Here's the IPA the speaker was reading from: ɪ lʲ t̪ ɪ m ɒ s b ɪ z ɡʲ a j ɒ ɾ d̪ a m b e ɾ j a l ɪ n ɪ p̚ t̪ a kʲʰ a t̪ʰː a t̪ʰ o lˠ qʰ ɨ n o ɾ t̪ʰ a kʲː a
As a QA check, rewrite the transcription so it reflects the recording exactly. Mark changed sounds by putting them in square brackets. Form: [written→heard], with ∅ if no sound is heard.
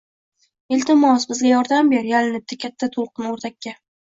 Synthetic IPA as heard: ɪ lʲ t̪ ɪ m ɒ s b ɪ z ɡʲ a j ɒ ɾ d̪ a m b e ɾ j a l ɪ n ɪ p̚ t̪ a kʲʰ a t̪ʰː a t̪ʰ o lˠ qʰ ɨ n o ɾ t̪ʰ a kʲː a

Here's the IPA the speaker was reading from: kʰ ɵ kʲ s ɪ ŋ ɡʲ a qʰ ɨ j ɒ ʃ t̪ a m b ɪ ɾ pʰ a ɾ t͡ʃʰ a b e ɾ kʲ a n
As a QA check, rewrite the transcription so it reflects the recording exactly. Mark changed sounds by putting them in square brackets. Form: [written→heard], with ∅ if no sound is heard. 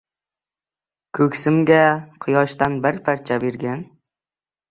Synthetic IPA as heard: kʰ ɵ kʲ s ɪ [ŋ→m] ɡʲ a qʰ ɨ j ɒ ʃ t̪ a [m→n] b ɪ ɾ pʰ a ɾ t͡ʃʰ a b e ɾ [kʲ→ɡʲ] a n

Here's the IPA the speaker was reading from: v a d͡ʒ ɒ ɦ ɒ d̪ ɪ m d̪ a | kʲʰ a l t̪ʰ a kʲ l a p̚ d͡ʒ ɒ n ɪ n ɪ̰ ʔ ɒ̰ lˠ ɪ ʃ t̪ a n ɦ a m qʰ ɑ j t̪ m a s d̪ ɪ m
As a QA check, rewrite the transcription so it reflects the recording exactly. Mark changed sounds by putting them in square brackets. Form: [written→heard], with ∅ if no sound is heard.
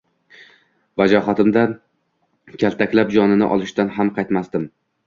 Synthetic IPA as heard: v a d͡ʒ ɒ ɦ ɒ [d̪→t̪] ɪ m d̪ a | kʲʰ a l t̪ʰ a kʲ l a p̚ d͡ʒ ɒ n ɪ n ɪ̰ ʔ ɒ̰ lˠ ɪ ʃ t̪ a n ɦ a m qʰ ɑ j t̪ m a s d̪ ɪ m

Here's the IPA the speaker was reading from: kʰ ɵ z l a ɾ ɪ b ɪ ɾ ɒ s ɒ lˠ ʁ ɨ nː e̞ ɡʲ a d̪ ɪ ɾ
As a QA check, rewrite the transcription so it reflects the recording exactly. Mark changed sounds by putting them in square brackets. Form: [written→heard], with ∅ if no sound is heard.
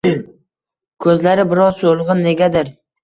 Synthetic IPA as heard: kʰ ɵ z l a ɾ ɪ b ɪ ɾ ɒ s [ɒ→o] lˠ ʁ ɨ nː e̞ ɡʲ a d̪ ɪ ɾ

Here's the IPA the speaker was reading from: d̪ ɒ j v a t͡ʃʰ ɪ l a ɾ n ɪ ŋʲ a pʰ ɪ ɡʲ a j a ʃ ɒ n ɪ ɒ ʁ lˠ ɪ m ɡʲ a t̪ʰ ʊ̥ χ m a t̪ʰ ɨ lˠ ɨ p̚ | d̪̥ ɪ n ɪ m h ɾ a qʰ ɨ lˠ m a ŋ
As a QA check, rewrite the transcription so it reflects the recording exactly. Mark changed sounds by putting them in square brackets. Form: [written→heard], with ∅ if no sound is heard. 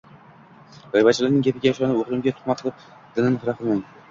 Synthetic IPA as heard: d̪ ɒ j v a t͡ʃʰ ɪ l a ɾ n ɪ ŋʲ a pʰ ɪ ɡʲ a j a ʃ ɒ n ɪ [ɒ→o] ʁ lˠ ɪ m ɡʲ a t̪ʰ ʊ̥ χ m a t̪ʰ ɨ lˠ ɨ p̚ | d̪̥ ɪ n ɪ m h ɾ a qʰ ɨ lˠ m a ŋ

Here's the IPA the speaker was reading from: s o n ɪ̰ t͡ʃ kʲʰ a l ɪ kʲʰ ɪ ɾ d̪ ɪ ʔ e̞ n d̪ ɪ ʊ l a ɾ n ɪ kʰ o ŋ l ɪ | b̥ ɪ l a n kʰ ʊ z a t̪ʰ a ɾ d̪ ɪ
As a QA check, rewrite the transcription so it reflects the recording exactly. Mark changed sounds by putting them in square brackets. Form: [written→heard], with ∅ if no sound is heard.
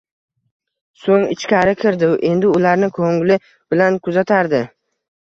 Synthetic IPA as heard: s o [n→ŋ] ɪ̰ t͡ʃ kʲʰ a [l→ɾ] ɪ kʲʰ ɪ ɾ d̪ ɪ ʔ e̞ n d̪ ɪ ʊ l a ɾ n ɪ kʰ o ŋ l ɪ | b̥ ɪ l a n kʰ ʊ z a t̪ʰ a ɾ d̪ ɪ

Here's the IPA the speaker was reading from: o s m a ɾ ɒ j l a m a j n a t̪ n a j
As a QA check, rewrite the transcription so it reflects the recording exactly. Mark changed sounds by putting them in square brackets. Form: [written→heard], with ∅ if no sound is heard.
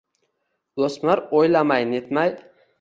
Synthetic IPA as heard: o s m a ɾ [ɒ→o] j l a m a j n [a→e] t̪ [n→m] a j

